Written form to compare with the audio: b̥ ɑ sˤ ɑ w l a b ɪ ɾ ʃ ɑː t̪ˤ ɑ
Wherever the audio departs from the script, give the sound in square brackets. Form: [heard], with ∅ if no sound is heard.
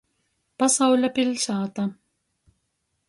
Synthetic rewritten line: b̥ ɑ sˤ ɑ w l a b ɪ [l] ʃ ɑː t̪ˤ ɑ